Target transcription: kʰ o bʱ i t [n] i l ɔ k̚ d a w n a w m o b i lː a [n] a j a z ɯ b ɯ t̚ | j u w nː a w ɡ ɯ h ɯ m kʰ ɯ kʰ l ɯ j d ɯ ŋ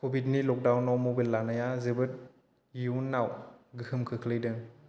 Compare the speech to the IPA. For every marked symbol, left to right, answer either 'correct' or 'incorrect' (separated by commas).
correct, correct